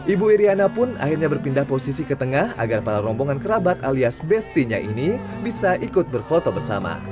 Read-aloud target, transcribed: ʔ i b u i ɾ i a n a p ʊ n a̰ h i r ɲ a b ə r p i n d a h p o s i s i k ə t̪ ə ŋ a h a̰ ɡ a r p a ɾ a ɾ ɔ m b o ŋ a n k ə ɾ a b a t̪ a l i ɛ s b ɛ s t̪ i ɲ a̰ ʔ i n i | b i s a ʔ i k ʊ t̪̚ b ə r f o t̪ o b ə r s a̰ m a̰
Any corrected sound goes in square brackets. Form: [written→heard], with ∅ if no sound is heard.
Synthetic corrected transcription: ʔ i b u i ɾ i a n a p ʊ n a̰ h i r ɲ a b ə r p i n d a h p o s i s i k ə t̪ ə ŋ a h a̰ ɡ a r p a ɾ a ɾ ɔ m b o ŋ a n k ə ɾ a b a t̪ a l i [ɛ→a] s b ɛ s t̪ i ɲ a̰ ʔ i n i | b i s a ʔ i k ʊ t̪̚ b ə r f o t̪ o b ə r s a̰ m a̰